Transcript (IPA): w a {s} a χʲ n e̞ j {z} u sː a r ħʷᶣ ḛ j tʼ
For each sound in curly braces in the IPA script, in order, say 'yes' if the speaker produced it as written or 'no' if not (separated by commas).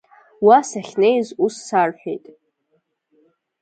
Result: yes, yes